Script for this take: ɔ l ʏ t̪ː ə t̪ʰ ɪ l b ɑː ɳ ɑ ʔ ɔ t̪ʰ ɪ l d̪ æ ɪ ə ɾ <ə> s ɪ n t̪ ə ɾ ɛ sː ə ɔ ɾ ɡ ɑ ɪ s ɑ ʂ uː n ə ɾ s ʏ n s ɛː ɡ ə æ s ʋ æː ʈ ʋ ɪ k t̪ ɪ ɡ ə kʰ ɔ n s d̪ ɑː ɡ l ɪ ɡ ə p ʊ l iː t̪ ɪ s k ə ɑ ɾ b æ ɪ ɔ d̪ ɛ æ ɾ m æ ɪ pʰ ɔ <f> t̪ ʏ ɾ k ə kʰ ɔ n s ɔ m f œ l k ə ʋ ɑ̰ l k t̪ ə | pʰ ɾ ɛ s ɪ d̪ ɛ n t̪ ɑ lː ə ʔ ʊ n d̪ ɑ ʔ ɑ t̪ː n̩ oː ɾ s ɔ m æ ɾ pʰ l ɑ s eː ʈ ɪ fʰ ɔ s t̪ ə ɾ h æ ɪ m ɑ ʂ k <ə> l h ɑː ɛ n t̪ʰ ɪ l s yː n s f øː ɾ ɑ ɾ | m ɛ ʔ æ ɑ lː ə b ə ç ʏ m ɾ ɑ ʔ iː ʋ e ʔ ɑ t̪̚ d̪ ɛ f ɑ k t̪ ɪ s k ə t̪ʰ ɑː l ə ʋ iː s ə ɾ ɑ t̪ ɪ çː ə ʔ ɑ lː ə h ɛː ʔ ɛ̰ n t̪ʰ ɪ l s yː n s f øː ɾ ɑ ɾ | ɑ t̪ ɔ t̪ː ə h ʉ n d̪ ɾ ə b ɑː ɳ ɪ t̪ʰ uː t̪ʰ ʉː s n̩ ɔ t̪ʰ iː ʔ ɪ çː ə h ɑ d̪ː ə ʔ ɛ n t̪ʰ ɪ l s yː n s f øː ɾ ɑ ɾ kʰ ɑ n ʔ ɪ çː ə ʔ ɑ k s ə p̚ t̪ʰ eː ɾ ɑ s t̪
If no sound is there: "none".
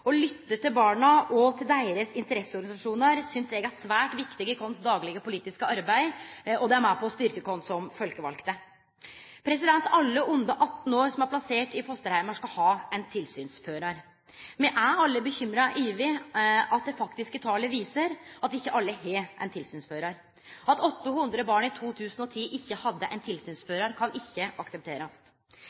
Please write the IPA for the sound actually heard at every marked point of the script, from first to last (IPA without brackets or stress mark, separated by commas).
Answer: ə, s, ɑ